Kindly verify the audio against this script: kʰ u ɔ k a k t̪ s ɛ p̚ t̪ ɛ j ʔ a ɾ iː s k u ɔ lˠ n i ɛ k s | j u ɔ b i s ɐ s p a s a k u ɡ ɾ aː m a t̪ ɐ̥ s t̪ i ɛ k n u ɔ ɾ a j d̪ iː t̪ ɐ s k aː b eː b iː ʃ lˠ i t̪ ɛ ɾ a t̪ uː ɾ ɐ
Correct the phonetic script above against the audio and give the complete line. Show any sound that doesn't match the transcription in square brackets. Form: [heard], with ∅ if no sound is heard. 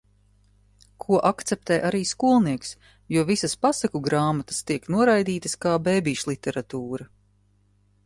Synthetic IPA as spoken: kʰ u ɔ [ʔ] a k t̪ s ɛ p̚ t̪ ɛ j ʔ a ɾ iː s k u ɔ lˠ n i ɛ k s | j u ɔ [v] i s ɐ s p a s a k u ɡ ɾ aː m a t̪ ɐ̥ s t̪ i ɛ k n u ɔ ɾ a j d̪ iː t̪ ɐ s k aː b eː b iː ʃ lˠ i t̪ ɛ ɾ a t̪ uː ɾ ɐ